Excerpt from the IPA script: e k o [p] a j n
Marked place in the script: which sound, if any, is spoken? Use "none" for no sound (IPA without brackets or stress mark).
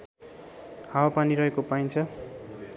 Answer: p